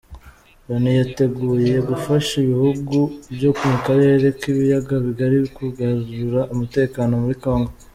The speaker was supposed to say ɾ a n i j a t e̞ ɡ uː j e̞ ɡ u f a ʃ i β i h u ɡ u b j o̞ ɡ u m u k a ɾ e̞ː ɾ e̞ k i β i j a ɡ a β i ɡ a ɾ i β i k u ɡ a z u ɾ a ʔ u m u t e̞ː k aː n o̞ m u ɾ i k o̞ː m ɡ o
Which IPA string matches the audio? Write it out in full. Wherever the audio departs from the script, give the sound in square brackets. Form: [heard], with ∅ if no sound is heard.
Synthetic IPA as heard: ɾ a n i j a t e̞ ɡ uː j e̞ ɡ u f a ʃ i β i h u ɡ u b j o̞ [k] u m u k a ɾ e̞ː ɾ e̞ k i β i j a ɡ a β i ɡ a ɾ i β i k u ɡ a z u ɾ a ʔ u m u t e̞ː k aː n o̞ m u ɾ i k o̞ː [ŋ] ɡ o